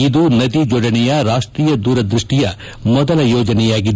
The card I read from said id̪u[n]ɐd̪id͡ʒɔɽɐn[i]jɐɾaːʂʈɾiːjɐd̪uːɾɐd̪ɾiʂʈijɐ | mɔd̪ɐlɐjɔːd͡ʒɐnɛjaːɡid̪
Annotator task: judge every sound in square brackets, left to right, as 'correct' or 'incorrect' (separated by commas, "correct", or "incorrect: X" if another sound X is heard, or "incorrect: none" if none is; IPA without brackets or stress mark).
correct, incorrect: ɛ